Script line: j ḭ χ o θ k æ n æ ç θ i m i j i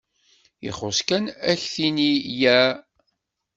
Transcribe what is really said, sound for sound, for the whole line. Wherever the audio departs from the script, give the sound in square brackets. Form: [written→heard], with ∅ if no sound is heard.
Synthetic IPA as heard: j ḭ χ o [θ→s] k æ n æ ç θ i [m→n] i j [i→æ]